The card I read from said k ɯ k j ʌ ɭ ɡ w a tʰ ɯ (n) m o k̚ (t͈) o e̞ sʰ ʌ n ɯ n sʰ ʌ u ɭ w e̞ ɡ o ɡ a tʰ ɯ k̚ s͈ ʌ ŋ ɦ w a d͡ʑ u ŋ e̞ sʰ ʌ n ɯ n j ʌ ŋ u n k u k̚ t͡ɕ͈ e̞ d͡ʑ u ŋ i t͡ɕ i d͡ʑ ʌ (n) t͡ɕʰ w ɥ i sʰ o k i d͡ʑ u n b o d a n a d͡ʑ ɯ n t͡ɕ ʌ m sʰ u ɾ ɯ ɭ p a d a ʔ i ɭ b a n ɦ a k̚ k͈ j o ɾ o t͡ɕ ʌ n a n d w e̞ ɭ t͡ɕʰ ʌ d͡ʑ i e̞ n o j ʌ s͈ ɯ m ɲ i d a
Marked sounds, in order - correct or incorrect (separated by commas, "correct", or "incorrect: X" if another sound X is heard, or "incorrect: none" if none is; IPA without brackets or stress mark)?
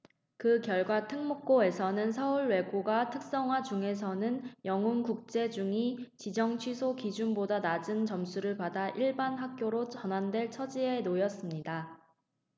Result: incorrect: ŋ, incorrect: k͈, incorrect: ŋ